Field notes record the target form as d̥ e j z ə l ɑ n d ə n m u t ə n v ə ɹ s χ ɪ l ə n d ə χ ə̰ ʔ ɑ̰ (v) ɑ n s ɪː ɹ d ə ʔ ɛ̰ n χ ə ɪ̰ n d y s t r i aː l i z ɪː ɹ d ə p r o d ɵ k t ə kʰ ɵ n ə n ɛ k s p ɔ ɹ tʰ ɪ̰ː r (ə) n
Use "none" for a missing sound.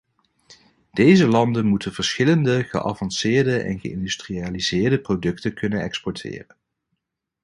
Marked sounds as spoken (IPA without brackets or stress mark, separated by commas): v, ə